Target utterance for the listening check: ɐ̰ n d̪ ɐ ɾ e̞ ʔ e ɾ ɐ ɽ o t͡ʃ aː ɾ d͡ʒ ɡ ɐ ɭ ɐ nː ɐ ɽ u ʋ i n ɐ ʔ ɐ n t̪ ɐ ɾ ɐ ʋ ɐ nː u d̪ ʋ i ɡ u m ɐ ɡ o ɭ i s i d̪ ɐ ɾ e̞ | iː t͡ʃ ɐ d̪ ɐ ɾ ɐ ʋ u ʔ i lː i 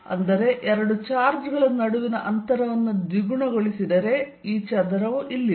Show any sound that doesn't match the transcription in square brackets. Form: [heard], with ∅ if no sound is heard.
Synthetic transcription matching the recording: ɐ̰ n d̪ ɐ ɾ e̞ ʔ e ɾ ɐ ɽ [u] t͡ʃ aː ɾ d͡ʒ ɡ ɐ ɭ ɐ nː ɐ ɽ u ʋ i n ɐ ʔ ɐ n t̪ ɐ ɾ ɐ ʋ ɐ nː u d̪ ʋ i ɡ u [ɳ] ɐ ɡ o ɭ i s i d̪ ɐ ɾ e̞ | iː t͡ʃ ɐ d̪ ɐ ɾ ɐ ʋ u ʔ i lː i